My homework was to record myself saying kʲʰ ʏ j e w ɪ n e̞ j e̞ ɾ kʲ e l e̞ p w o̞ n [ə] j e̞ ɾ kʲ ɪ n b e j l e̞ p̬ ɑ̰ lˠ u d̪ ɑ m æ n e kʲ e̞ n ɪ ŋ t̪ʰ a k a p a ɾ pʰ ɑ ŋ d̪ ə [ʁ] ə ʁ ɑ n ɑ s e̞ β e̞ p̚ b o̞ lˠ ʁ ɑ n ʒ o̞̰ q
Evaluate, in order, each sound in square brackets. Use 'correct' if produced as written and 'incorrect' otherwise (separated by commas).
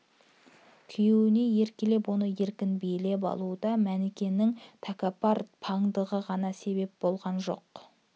correct, correct